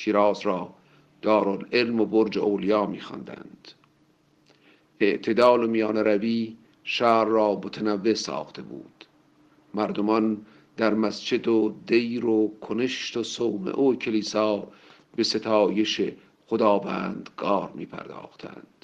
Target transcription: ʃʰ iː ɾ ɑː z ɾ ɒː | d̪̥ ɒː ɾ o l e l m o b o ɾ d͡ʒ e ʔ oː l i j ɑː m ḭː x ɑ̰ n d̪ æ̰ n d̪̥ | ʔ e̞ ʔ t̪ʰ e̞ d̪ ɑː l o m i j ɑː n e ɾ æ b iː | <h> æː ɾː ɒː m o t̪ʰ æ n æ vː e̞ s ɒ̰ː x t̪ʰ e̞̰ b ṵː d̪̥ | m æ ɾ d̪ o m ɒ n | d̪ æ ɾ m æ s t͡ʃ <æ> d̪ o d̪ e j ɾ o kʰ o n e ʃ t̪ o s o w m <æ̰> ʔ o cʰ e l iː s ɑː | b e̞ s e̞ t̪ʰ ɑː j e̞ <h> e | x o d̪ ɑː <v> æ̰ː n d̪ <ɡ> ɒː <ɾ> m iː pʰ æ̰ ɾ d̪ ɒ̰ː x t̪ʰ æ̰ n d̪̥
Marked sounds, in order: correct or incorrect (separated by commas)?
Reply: incorrect, incorrect, incorrect, incorrect, correct, correct, correct